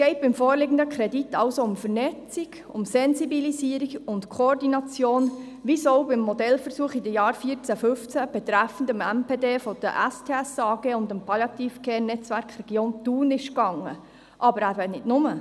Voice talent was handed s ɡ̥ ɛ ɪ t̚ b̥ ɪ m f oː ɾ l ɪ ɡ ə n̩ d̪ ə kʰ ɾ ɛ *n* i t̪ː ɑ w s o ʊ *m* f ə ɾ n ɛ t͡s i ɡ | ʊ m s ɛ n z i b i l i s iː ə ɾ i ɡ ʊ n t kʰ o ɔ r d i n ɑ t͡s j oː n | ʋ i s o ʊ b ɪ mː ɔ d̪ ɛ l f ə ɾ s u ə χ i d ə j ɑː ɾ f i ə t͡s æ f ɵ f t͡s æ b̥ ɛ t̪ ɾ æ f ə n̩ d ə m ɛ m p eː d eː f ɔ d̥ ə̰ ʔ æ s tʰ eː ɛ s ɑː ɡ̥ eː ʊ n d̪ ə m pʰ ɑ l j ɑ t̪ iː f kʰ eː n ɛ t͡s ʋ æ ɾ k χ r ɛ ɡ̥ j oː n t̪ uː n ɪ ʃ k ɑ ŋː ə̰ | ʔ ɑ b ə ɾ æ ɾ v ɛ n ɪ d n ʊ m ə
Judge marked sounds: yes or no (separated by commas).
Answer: no, yes